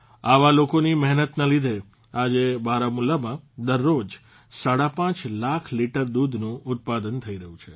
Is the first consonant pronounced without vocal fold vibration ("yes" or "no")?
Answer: no